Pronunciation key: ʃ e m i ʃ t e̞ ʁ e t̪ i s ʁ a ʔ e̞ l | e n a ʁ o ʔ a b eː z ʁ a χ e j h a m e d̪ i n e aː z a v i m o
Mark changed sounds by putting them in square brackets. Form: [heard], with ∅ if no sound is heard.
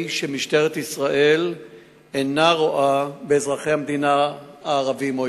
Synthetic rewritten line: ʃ e m i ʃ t e̞ ʁ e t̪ i s ʁ a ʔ e̞ l | e n a ʁ o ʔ a b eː z ʁ a χ e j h a m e d̪ i n [a] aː [ʁ] a v i m o